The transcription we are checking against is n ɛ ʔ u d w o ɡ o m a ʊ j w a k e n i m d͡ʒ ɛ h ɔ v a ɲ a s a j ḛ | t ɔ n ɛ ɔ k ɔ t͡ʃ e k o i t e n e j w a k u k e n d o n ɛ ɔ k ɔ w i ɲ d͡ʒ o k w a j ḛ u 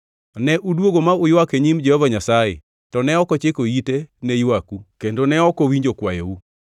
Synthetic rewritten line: n ɛ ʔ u d w o ɡ o m a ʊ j w a k e ɲ i m d͡ʒ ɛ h ɔ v a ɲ a s a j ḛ | t ɔ n ɛ ɔ k ɔ t͡ʃ e k o i t e n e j w a k u k e n d o n ɛ ɔ k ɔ w i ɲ d͡ʒ o k w a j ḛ u